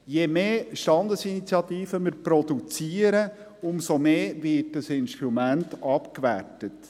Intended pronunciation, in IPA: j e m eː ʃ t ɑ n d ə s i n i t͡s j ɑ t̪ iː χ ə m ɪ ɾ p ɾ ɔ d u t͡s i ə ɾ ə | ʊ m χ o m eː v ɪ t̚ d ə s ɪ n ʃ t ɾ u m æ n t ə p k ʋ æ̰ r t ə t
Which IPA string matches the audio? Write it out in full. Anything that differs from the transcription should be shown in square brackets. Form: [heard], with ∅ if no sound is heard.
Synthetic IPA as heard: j e m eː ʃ t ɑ n d ə s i n i t͡s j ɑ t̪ iː [f] ə m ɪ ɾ p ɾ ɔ d u t͡s i ə ɾ ə | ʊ m [s] o m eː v ɪ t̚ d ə s ɪ n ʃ t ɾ u m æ n t [ɑ] p k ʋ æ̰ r t ə t